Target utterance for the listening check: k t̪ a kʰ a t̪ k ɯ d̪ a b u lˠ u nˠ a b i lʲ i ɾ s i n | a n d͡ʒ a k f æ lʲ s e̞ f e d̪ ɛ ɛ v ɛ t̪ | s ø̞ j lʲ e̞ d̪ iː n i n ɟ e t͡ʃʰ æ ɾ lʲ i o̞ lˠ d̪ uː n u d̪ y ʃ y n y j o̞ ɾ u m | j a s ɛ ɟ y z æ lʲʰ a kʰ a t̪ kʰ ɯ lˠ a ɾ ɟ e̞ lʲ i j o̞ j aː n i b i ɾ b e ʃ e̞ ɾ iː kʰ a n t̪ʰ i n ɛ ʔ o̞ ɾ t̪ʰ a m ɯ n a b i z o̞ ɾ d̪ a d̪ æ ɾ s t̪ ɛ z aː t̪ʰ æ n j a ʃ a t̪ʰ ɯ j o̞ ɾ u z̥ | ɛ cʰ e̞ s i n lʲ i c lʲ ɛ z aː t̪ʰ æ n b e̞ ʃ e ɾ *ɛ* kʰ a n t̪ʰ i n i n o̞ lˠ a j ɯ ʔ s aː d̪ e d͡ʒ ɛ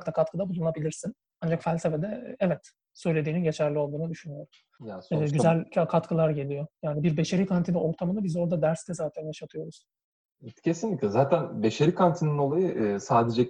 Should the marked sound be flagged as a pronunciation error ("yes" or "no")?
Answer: yes